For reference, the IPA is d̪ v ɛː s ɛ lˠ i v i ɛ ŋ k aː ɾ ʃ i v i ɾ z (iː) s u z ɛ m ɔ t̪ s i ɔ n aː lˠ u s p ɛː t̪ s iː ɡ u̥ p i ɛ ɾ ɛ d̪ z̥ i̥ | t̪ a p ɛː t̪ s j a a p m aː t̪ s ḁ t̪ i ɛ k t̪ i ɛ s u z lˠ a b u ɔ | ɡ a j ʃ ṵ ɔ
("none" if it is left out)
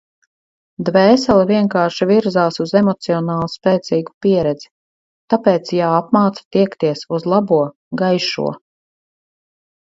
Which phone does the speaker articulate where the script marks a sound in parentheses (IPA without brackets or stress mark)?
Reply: aː